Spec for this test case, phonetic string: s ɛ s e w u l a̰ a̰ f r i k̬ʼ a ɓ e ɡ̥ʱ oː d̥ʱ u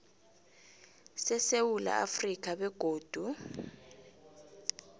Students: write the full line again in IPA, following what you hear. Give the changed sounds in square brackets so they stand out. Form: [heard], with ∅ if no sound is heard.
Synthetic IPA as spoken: s ɛ s e w u l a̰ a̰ f r i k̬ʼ a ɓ [ɛ] ɡ̥ʱ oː d̥ʱ u